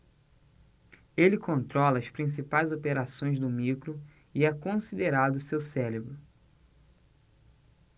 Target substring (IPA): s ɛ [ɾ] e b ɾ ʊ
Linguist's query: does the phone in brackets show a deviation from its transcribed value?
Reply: yes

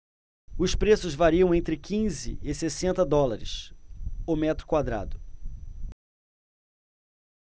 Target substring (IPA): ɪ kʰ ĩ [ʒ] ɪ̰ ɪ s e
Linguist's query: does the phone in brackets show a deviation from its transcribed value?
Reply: yes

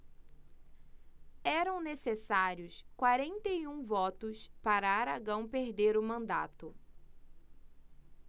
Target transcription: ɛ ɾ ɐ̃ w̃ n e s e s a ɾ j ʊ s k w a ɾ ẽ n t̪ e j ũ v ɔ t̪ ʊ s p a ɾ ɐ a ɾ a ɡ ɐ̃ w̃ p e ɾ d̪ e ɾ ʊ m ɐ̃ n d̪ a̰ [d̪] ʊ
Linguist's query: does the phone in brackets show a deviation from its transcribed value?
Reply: yes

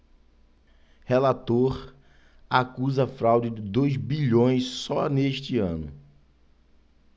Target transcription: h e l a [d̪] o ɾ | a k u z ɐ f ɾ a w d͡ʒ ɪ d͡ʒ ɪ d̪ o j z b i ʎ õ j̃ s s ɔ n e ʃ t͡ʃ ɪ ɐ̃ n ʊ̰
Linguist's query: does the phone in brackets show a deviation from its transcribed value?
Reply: yes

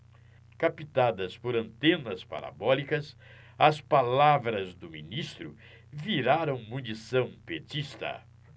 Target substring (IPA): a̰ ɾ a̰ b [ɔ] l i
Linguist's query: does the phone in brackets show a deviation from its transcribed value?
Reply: no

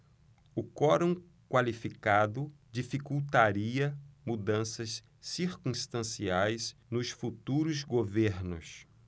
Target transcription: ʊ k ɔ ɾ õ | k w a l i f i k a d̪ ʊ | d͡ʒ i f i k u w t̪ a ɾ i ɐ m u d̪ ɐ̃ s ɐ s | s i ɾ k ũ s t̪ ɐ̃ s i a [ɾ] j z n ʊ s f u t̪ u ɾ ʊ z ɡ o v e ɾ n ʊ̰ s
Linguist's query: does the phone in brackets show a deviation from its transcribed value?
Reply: yes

